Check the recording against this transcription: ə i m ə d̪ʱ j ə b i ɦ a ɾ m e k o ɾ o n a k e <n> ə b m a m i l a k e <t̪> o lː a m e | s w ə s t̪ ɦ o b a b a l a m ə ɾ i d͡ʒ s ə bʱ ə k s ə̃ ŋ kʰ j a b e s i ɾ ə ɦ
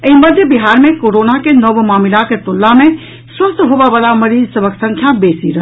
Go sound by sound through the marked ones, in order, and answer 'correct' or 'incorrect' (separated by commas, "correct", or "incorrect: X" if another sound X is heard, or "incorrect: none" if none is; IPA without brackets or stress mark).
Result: correct, correct